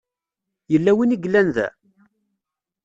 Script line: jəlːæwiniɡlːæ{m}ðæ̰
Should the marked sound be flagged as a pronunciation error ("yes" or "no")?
yes